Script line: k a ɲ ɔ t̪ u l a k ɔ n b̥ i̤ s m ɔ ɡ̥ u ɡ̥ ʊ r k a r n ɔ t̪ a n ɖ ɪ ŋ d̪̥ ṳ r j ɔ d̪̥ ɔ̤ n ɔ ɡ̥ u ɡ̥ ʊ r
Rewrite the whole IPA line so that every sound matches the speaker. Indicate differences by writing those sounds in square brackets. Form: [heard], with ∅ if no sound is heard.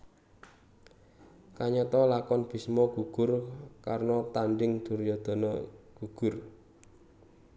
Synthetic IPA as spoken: k a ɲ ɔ t̪ [ɔ] l a k ɔ n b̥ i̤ s m ɔ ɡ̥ u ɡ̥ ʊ r k a r n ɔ t̪ a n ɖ ɪ ŋ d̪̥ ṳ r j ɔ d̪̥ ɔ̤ n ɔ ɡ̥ u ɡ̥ ʊ r